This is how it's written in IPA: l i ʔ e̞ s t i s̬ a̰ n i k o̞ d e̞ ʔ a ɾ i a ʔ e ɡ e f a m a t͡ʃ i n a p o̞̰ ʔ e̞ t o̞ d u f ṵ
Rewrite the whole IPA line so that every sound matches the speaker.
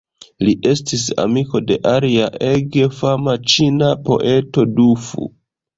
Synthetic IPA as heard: l i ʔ e̞ s t i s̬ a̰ m i k o̞ d e̞ ʔ a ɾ i a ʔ e ɡ e f a m a t͡ʃ i n a p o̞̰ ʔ e̞ t o̞ d u f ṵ